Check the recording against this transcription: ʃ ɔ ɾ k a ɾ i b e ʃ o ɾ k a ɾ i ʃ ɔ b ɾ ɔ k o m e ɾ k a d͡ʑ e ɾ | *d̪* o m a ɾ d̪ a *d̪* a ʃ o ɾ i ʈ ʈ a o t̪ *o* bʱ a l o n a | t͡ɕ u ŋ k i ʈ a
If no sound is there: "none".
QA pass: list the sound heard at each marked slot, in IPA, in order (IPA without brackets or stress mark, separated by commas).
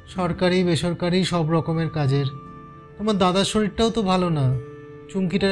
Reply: t̪, d̪, o